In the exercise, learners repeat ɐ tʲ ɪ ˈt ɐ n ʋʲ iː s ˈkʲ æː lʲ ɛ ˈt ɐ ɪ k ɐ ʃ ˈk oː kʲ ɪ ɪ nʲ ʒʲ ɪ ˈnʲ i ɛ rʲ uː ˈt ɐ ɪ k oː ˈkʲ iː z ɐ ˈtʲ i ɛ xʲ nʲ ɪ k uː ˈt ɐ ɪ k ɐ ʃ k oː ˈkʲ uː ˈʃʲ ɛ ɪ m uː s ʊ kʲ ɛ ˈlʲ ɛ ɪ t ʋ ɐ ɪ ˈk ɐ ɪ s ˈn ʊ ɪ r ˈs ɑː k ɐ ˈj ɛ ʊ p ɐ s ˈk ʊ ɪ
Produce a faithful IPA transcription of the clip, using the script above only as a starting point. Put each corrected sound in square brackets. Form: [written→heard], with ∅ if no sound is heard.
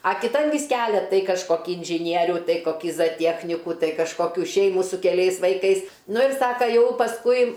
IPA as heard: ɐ [tʲ→kʲ] ɪ ˈt ɐ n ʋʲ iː s ˈkʲ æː lʲ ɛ ˈt ɐ ɪ k ɐ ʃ ˈk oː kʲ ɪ ɪ nʲ ʒʲ ɪ ˈnʲ i ɛ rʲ uː ˈt ɐ ɪ k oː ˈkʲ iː z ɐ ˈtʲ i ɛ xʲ nʲ ɪ k uː ˈt ɐ ɪ k ɐ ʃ k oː ˈkʲ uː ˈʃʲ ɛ ɪ m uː s ʊ kʲ ɛ ˈlʲ ɛ ɪ [t→s] ʋ ɐ ɪ ˈk ɐ ɪ s ˈn ʊ ɪ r ˈs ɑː k ɐ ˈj ɛ ʊ p ɐ s ˈk ʊ ɪ